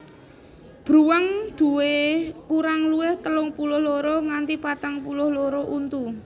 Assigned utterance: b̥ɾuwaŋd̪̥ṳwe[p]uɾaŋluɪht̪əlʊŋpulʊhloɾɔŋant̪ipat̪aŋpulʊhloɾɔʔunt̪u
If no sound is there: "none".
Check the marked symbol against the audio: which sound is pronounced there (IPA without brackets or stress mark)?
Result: k